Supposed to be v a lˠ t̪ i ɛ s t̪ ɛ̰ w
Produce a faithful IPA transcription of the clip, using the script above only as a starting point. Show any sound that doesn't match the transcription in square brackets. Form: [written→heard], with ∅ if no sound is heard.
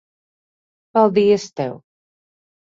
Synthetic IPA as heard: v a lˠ [t̪→d̪] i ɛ s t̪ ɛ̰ w

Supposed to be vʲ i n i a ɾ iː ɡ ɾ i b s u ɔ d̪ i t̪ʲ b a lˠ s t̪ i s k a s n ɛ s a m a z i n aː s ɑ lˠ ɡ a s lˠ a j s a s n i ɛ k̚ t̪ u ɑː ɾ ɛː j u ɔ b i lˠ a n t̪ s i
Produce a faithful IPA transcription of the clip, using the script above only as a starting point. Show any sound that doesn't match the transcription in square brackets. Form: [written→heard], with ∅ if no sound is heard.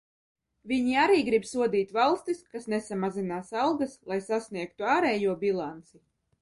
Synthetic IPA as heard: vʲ i [n→ɲ] i a ɾ iː ɡ ɾ i b s u ɔ d̪ [i→iː] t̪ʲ [b→v] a lˠ s t̪ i s k a s n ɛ s a m a z i n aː s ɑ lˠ ɡ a s lˠ a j s a s n i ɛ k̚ t̪ u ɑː ɾ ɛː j u ɔ b i lˠ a n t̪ s i

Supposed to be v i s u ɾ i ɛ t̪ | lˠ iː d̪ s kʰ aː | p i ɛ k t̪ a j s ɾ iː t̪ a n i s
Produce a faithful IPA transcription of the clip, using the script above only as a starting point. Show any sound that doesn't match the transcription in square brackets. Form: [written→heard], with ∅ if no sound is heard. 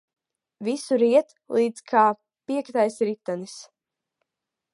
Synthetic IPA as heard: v i s u ɾ i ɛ t̪ | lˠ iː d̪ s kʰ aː | p i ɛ k t̪ a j s ɾ [iː→i] t̪ a n i s

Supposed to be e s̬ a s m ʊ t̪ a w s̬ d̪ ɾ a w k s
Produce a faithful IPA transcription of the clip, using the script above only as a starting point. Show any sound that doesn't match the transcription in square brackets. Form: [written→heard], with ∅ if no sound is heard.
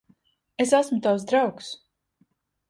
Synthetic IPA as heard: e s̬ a s m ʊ t̪ a w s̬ d̪ ɾ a w k s

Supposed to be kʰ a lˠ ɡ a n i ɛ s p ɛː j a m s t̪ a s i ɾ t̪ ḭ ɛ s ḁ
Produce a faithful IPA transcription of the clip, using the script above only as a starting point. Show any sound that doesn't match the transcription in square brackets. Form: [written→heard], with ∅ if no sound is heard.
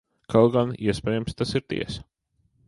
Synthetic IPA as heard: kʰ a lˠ ɡ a n i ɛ s p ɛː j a m s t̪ a s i ɾ t̪ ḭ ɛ s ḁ

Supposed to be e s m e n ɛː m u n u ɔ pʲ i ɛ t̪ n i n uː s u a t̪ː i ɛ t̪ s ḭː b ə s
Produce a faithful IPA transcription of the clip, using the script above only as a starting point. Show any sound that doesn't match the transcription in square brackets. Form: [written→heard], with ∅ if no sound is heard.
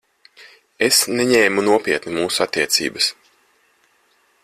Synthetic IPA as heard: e s [m→n] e [n→ɲ] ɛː m u n u ɔ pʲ i ɛ t̪ n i [n→m] uː s u a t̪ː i ɛ t̪ s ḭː b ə s

